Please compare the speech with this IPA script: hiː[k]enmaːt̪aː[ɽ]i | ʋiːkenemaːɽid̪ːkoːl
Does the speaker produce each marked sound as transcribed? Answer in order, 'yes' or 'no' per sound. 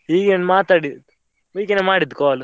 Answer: no, yes

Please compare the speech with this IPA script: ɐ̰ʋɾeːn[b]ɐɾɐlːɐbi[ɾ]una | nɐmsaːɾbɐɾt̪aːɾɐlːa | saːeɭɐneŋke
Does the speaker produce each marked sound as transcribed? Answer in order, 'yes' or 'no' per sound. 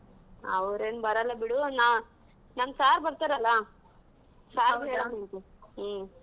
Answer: yes, no

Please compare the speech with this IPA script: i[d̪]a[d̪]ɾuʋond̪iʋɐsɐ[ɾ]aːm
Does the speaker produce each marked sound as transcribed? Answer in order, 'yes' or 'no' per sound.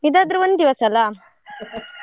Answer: yes, yes, no

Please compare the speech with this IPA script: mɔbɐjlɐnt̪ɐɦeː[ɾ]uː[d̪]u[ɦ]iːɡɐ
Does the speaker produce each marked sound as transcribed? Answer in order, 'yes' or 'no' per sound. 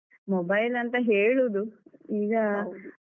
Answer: no, yes, no

